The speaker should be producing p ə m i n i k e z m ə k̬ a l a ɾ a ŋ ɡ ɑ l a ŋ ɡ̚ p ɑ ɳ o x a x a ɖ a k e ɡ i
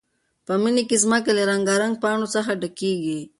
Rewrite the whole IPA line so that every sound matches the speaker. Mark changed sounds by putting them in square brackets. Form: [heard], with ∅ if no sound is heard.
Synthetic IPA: p ə m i n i k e z m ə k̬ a l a ɾ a ŋ ɡ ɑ [ɾ] a ŋ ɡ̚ p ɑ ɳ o [s] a x a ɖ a k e ɡ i